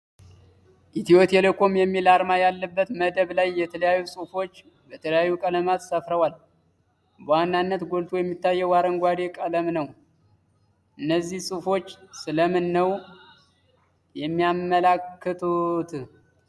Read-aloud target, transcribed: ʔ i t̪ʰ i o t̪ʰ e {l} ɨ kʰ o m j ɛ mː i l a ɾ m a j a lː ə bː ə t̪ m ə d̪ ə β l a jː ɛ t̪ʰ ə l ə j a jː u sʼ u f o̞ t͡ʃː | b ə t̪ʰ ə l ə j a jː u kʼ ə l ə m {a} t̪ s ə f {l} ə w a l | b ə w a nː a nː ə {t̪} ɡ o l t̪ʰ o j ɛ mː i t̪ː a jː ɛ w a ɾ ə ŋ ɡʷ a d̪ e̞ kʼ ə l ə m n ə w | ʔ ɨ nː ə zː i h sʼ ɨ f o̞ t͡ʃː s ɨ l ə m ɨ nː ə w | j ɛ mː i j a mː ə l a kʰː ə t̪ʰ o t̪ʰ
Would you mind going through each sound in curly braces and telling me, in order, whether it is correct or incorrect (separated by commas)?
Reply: correct, correct, incorrect, correct